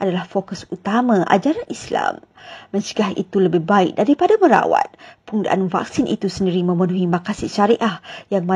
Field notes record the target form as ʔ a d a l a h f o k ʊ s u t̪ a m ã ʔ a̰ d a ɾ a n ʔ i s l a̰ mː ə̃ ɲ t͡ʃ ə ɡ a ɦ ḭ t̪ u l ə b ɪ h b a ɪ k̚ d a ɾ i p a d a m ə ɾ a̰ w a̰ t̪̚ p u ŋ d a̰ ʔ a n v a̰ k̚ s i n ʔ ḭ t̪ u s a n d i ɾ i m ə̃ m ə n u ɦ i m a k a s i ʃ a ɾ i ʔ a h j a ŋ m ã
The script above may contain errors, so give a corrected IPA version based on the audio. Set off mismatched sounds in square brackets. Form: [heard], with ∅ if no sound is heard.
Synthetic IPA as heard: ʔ a d a l a h f o k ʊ s u t̪ a m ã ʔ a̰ [d͡ʒ] a ɾ a n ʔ i s l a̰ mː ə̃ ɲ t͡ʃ ə ɡ a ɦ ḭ t̪ u l ə b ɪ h b a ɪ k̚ d a ɾ i p a d a m ə ɾ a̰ w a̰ t̪̚ p u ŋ d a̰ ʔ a n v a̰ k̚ s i n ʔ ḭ t̪ u s [ə] n d i ɾ i m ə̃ m ə n u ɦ i m a k a s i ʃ a ɾ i ʔ a h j a ŋ m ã